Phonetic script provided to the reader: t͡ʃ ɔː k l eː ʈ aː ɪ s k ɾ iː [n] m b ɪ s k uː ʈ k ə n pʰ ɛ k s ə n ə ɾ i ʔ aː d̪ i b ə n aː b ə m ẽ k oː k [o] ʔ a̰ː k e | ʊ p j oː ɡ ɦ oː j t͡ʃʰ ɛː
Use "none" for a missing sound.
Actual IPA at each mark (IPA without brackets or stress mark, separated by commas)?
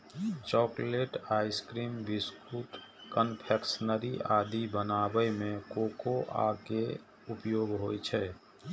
none, o